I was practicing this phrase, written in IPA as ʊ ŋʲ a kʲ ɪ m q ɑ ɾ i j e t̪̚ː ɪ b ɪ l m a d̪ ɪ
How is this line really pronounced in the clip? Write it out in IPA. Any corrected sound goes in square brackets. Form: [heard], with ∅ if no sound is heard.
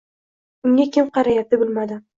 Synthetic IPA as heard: ʊ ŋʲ a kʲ ɪ m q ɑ ɾ [a] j [a] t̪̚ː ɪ b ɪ l m a d̪ ɪ